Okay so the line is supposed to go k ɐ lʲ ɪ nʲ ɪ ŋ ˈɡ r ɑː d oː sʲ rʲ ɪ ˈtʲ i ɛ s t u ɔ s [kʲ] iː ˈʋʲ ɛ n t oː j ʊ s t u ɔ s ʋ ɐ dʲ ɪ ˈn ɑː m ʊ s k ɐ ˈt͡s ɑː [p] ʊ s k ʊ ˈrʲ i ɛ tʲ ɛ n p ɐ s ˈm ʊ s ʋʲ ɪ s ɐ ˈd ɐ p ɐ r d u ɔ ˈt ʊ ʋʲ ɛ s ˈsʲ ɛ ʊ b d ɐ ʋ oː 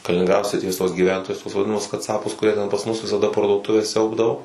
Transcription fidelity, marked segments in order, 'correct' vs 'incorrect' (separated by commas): incorrect, correct